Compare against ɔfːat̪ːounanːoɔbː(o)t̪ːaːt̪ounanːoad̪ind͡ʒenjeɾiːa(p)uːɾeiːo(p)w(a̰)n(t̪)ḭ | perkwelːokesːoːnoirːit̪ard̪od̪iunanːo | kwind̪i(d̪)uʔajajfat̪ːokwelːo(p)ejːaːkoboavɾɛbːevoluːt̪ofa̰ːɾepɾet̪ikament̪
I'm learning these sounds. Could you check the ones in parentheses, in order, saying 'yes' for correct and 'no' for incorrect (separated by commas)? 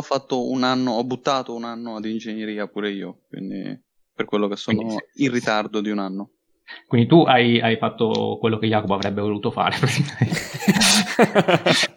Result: no, yes, no, no, no, no, no